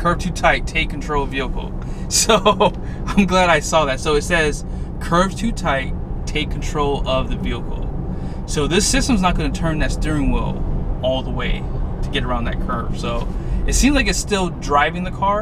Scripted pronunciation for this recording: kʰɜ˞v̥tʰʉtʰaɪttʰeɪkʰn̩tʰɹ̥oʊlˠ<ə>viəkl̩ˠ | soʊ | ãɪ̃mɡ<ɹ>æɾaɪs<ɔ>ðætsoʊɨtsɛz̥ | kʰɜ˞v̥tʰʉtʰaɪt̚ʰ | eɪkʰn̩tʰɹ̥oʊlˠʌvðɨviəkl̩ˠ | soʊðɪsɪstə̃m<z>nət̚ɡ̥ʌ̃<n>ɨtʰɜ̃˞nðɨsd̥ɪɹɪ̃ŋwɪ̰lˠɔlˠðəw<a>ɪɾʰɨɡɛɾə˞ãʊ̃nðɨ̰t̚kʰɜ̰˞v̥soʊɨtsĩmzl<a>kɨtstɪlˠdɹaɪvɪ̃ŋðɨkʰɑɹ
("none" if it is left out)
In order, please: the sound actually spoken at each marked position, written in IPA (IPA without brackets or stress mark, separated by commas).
ʌ, l, ɔ, z, n, e, a